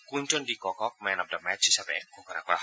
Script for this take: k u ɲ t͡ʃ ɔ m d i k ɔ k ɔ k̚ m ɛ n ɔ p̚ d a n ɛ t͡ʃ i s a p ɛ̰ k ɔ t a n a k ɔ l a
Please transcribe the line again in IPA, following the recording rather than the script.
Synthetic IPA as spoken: k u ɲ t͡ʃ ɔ n d i k ɔ k ɔ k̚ m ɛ n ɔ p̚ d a m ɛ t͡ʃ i s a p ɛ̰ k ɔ k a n a k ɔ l a